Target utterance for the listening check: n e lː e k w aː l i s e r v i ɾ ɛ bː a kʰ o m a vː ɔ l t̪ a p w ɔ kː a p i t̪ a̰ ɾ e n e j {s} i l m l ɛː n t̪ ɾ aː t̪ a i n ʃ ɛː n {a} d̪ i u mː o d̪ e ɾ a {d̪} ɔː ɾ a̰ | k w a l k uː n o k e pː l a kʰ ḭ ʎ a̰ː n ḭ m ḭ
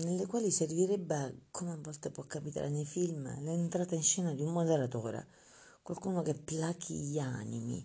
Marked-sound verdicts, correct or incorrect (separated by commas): incorrect, correct, incorrect